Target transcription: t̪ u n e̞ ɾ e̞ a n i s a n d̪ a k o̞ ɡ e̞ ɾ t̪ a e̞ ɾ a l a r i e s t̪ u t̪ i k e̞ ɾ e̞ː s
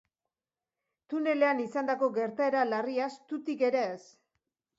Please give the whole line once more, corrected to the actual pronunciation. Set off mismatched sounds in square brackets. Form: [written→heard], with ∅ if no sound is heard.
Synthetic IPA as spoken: t̪ u n e̞ [ɾ→l] e̞ a n i s a n d̪ a k o̞ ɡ e̞ ɾ t̪ a e̞ ɾ a l a r i [e→a] s t̪ u t̪ i k e̞ ɾ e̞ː s